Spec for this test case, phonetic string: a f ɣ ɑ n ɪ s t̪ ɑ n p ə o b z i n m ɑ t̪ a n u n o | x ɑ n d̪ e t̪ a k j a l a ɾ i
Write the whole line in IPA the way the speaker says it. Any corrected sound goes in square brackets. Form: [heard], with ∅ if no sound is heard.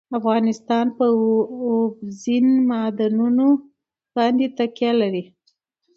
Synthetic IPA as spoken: a f ɣ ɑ n ɪ s t̪ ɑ n p ə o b z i n m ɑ [d̪] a n u n o | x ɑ n d̪ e t̪ a k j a l a ɾ i

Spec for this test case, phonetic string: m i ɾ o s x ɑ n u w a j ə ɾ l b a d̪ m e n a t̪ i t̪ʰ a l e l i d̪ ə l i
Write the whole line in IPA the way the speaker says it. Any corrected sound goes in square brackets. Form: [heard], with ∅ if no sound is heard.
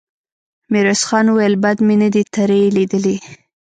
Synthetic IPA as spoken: m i ɾ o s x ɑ n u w a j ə [∅] l b a d̪ m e n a [d̪] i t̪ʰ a [ɾ] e l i d̪ ə l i

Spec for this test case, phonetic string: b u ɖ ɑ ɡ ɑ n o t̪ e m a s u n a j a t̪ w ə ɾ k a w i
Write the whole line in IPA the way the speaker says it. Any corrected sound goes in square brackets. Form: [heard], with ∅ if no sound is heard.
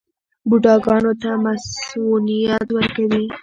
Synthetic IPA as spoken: b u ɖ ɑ ɡ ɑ n o t̪ [a] m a s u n [i] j a t̪ w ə ɾ k a w i

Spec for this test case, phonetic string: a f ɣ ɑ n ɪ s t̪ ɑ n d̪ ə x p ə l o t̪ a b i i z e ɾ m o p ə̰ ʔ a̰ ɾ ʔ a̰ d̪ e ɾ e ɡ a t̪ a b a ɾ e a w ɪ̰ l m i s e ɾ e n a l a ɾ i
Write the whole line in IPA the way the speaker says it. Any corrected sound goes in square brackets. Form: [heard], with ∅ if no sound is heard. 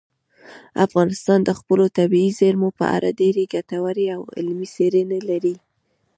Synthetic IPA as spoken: a f ɣ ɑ n ɪ s t̪ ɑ n d̪ ə x p ə l o t̪ a b i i z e ɾ m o p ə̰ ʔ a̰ ɾ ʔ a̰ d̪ e ɾ e ɡ a t̪ a [w] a ɾ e a w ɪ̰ l m i s e ɾ e n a l a ɾ i

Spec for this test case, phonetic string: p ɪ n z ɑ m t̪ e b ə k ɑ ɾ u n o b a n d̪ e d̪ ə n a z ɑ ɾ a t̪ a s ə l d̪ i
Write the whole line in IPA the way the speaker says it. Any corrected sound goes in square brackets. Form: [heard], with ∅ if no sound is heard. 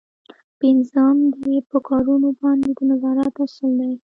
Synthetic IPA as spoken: p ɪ n z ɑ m [d̪] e [p] ə k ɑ ɾ u n o b [ɑ] n d̪ e d̪ ə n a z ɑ ɾ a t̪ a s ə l d̪ [a]

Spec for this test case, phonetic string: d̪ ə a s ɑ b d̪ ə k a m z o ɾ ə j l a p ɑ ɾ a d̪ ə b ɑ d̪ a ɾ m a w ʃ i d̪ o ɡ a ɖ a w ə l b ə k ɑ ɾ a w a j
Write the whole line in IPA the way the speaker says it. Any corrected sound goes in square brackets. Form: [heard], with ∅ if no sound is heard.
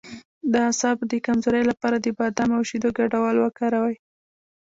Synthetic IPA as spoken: d̪ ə a s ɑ b d̪ ə k a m z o ɾ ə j l a p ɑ ɾ a d̪ ə b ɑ d̪ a [∅] m a w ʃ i d̪ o ɡ a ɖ a w [ɑ] l [w] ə k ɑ ɾ a w a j

